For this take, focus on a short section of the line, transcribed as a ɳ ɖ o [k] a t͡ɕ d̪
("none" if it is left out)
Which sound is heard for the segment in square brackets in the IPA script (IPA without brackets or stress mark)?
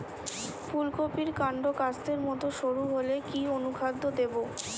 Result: k